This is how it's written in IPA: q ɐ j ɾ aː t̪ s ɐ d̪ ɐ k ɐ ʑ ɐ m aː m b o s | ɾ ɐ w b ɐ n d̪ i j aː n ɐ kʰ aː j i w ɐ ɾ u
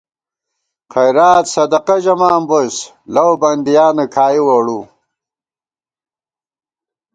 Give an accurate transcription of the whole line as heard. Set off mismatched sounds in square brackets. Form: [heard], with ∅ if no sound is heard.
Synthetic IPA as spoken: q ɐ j ɾ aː t̪ s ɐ d̪ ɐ [q] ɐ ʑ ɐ m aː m b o s | [l] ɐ w b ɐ n d̪ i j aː n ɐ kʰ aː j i w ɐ [ɽ] u

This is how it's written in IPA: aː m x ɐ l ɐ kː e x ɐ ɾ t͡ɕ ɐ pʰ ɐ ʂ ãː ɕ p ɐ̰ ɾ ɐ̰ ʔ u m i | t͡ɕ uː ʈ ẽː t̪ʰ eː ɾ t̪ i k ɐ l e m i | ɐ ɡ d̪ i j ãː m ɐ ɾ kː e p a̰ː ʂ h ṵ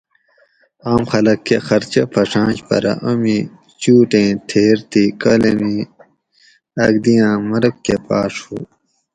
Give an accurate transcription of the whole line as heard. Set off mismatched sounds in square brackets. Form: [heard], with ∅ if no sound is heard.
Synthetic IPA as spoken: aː m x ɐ l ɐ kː e x ɐ ɾ t͡ɕ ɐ pʰ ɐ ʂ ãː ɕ p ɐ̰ ɾ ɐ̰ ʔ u m i | t͡ɕ uː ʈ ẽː t̪ʰ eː ɾ t̪ i k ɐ l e m i | ɐ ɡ d̪ i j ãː m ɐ ɾ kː e p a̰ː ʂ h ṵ

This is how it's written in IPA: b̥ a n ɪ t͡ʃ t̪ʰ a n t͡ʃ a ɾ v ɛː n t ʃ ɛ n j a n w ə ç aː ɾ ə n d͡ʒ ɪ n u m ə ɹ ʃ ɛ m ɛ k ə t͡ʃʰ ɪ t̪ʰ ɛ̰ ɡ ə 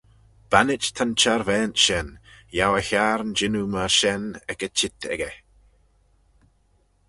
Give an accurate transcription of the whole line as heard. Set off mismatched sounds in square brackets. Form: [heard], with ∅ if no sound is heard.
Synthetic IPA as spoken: b̥ a n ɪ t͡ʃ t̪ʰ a n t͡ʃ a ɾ v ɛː n t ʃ ɛ n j a [∅] w ə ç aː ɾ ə n d͡ʒ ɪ n u m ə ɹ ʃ ɛ [n] ɛ k ə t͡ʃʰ ɪ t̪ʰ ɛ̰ ɡ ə

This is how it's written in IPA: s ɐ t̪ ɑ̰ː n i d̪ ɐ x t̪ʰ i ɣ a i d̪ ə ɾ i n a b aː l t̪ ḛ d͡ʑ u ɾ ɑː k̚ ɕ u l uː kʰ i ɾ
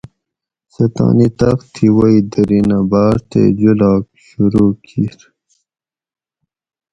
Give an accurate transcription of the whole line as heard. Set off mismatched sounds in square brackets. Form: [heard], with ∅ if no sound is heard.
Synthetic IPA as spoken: s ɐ t̪ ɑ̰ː n i [t̪] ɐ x t̪ʰ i [w] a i d̪ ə ɾ i n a b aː [ɾ] t̪ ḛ d͡ʑ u [l] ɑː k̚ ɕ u [ɾ] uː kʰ i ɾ

